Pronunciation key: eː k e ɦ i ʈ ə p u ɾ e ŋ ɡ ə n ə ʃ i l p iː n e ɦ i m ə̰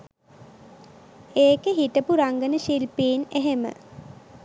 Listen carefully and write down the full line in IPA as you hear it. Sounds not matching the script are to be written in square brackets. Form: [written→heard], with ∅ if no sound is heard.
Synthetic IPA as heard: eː k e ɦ i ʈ ə p u ɾ [e→a] ŋ ɡ ə n ə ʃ i l p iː n e ɦ [i→e] m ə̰